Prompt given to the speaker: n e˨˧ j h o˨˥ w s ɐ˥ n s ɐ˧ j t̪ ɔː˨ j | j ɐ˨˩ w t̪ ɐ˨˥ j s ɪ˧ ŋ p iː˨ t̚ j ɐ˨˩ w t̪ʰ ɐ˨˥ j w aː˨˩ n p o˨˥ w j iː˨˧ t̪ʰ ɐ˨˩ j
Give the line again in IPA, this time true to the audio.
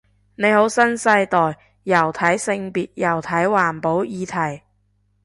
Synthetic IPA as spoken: n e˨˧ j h o˨˥ w s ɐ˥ n s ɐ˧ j t̪ ɔː˨ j | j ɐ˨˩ w t̪ʰ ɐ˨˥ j s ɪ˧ ŋ p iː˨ t̚ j ɐ˨˩ w t̪ʰ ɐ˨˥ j w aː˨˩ n p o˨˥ w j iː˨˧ t̪ʰ ɐ˨˩ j